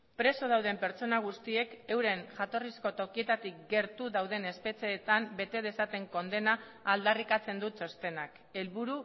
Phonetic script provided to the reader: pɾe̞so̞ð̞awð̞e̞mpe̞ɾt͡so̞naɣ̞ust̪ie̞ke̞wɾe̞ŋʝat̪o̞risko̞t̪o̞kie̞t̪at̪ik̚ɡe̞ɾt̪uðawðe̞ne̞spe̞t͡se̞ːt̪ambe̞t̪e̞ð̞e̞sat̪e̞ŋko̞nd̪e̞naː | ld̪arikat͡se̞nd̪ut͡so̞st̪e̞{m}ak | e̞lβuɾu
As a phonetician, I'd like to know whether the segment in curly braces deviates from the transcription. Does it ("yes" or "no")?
yes